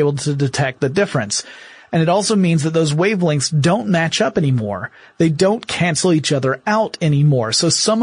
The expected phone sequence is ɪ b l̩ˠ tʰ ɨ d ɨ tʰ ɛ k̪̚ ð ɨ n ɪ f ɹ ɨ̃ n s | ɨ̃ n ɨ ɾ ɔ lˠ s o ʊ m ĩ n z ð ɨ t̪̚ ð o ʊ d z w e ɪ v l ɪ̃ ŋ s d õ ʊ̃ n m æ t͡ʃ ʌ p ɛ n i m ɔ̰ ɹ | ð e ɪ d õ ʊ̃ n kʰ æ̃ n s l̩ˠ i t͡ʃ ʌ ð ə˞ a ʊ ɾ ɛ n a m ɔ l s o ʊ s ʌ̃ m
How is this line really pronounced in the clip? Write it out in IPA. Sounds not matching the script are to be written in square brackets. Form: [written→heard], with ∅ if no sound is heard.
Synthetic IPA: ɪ b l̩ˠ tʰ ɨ d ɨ tʰ ɛ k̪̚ ð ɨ [n→d] ɪ f ɹ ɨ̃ n s | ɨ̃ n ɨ ɾ ɔ lˠ s o ʊ m ĩ n z ð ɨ t̪̚ ð o ʊ [d→∅] z w e ɪ v l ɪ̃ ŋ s d õ ʊ̃ n m æ t͡ʃ ʌ p ɛ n i m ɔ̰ ɹ | ð e ɪ d õ ʊ̃ n kʰ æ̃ n s l̩ˠ i t͡ʃ ʌ ð ə˞ a ʊ ɾ ɛ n [a→i] m ɔ [l→ɹ] s o ʊ s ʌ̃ m